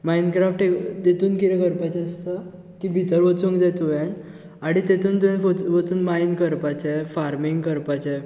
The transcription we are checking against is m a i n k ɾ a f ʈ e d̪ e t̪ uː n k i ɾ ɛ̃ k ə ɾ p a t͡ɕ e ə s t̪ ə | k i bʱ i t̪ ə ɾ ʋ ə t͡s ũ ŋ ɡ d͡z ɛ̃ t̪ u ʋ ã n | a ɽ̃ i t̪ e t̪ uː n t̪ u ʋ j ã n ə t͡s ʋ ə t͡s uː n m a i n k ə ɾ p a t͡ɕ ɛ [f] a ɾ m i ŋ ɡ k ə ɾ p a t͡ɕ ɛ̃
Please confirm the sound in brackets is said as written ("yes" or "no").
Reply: yes